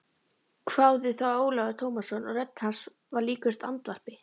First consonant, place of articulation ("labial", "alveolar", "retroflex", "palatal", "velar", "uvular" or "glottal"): velar